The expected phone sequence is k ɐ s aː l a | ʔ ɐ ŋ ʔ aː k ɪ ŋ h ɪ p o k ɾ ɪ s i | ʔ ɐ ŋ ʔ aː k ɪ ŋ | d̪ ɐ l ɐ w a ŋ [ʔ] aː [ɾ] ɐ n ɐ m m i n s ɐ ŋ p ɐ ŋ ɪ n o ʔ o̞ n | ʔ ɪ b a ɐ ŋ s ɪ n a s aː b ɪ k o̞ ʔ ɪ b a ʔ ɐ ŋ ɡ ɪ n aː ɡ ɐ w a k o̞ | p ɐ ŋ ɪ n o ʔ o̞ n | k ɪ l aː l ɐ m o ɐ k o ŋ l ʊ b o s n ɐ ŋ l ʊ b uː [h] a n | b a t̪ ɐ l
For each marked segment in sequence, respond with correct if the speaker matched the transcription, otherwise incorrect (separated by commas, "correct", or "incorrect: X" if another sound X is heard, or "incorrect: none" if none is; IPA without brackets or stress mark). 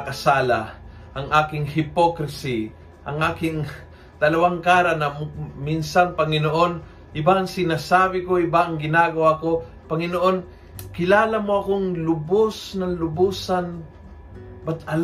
incorrect: k, correct, incorrect: s